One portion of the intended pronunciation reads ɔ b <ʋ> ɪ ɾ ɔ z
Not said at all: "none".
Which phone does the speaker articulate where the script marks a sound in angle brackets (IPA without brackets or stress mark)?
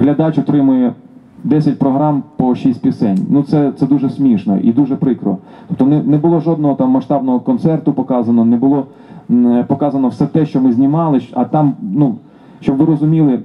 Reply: ʋ